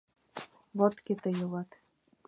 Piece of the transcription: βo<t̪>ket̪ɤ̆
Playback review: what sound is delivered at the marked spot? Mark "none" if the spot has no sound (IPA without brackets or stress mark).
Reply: t̪